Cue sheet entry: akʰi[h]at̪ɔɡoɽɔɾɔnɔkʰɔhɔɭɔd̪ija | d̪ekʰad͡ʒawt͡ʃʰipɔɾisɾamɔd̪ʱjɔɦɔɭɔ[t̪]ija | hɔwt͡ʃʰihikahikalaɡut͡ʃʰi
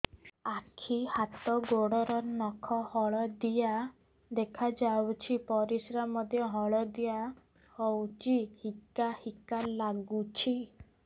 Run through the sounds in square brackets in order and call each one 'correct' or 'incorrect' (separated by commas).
correct, incorrect